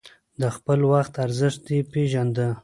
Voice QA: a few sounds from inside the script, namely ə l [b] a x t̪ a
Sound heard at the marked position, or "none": w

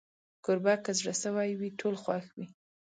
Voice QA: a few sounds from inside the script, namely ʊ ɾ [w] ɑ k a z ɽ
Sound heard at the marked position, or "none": b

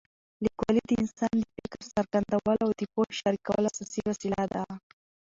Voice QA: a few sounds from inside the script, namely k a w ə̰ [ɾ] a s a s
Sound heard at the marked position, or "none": l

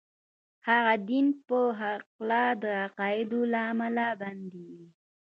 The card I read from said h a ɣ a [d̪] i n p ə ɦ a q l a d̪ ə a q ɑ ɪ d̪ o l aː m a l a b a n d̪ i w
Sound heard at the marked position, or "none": d̪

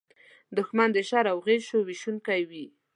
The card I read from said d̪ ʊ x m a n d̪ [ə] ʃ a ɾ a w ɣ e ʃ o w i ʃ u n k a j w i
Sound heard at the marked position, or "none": ə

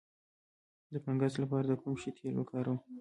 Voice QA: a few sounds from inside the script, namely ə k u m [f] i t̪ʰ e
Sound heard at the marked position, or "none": ʃ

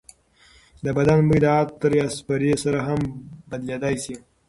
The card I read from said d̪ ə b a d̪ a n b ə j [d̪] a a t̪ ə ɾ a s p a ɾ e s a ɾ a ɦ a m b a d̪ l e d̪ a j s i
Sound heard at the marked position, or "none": d̪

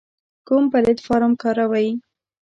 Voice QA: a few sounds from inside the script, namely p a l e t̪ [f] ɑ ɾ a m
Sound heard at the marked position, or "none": f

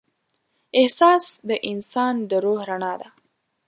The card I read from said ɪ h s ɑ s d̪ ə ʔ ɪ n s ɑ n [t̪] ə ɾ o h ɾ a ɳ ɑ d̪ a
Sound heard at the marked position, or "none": d̪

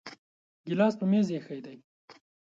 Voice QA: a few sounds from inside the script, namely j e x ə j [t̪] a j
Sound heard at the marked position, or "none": d̪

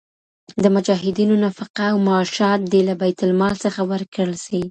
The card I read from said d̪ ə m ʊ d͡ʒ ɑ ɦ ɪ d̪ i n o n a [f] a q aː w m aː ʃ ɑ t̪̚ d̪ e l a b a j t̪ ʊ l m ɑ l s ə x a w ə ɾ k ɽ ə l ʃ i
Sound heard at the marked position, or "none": f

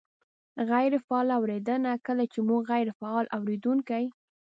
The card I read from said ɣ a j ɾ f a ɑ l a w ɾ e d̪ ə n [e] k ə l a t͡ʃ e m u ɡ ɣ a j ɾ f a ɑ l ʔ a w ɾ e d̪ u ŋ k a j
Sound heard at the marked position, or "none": a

